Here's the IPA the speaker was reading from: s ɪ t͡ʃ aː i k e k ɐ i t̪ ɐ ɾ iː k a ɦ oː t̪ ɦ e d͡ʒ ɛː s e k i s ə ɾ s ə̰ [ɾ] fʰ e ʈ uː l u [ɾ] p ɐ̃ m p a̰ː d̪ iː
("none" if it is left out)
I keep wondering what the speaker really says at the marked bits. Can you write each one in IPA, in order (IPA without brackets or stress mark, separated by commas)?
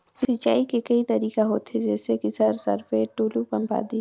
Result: ɾ, none